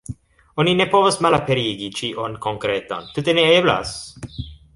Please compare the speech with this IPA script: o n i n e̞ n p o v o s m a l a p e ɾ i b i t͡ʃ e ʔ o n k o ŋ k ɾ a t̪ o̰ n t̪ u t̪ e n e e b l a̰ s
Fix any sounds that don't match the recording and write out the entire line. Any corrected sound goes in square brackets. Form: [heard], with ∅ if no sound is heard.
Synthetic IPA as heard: o n i n e̞ [∅] p o v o s m a l a p e ɾ i [ɡ] i t͡ʃ [i] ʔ o n k o ŋ k ɾ [e] t̪ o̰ n t̪ u t̪ e n e e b l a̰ s